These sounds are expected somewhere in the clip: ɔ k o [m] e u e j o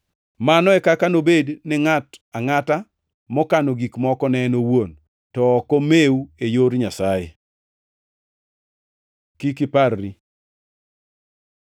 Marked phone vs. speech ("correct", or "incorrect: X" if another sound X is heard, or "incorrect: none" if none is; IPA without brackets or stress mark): correct